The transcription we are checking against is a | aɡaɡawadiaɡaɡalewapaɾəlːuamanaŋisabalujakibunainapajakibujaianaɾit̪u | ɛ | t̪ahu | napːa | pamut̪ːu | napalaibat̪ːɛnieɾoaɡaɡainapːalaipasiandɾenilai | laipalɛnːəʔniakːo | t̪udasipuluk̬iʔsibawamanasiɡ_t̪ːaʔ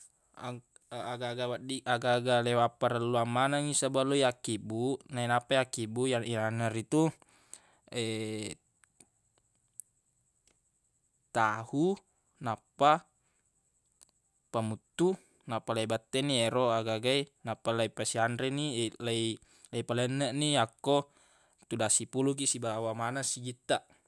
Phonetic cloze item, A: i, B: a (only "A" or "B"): A